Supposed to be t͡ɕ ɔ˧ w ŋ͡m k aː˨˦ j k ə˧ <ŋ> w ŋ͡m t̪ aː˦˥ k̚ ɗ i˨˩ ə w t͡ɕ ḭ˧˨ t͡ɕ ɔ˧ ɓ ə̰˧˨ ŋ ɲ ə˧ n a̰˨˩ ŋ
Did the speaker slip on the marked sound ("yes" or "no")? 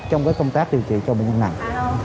yes